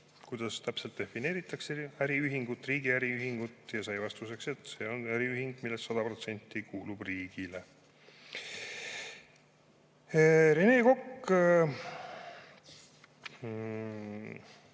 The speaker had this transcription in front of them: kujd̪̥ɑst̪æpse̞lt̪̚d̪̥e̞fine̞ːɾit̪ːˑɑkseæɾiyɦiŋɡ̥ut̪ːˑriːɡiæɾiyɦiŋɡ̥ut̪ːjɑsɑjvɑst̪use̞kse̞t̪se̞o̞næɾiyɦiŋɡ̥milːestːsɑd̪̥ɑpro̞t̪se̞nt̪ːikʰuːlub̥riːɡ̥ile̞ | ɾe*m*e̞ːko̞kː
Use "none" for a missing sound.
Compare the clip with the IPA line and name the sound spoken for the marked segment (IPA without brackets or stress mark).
n